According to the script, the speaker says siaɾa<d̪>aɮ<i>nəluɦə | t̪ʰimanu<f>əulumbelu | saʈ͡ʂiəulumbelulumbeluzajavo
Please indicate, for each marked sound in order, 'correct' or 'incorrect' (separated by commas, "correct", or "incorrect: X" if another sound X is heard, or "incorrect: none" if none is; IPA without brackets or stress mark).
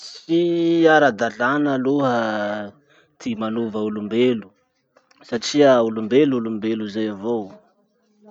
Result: correct, incorrect: a, incorrect: v